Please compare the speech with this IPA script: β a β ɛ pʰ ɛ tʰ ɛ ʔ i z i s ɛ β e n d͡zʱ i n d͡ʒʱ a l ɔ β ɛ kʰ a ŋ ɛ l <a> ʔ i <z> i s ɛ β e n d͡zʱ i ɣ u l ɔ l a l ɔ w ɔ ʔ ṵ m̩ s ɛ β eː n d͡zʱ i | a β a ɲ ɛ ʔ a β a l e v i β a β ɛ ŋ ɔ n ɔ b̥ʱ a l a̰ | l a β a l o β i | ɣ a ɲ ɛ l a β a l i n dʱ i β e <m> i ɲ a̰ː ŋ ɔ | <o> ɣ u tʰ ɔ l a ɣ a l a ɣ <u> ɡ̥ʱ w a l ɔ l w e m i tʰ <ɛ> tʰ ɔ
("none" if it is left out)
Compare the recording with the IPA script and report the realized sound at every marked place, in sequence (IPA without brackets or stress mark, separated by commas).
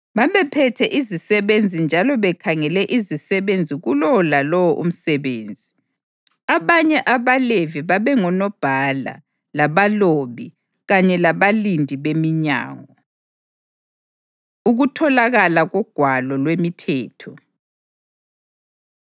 ɛ, z, m, u, ɔ, ɛː